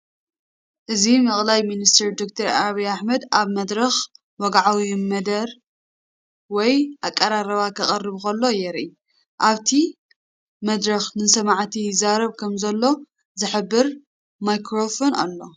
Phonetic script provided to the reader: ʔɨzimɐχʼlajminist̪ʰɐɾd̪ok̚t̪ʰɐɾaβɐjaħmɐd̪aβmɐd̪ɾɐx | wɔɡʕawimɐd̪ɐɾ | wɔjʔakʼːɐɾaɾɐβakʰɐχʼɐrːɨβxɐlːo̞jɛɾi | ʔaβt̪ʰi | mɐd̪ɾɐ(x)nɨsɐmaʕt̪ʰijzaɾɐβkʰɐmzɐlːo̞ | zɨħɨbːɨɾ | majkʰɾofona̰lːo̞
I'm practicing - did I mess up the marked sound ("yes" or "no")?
no